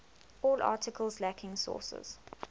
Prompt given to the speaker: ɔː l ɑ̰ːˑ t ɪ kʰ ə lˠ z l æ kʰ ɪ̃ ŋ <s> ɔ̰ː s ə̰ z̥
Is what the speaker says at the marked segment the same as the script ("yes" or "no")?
yes